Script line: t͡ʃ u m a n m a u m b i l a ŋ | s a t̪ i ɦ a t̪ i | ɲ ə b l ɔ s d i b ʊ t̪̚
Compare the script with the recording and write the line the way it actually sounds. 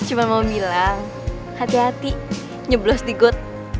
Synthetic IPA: t͡ʃ u m a n m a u m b i l a ŋ | h a t̪ i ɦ a t̪ i | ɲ ə b l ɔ s d i ɡ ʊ t̪̚